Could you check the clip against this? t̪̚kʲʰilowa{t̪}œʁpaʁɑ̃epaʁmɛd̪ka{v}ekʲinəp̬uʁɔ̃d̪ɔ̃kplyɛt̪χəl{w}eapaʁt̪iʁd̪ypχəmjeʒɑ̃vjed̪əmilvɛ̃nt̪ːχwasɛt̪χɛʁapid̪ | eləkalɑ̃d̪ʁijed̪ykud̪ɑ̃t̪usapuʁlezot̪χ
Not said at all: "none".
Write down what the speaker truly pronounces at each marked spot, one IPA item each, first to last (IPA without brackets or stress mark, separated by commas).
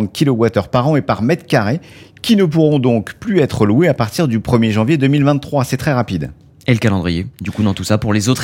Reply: t̪, ʁ, w